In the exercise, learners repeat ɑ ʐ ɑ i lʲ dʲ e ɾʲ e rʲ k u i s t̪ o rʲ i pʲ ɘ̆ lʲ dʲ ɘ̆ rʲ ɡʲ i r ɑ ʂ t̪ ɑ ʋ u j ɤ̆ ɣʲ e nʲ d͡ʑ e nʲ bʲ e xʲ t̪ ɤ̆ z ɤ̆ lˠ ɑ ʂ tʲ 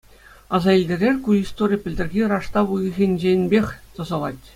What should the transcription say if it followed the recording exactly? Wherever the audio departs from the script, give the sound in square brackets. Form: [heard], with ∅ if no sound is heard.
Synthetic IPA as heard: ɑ [z] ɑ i lʲ dʲ e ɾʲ e rʲ k u i s t̪ o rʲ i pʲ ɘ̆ lʲ dʲ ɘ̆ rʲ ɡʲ i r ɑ ʂ t̪ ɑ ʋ u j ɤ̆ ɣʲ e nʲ d͡ʑ e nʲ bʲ e xʲ t̪ ɤ̆ z ɤ̆ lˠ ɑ [∅] tʲ